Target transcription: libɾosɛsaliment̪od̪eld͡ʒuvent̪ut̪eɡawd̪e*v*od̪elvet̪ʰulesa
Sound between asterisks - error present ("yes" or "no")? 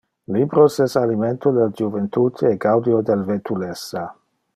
yes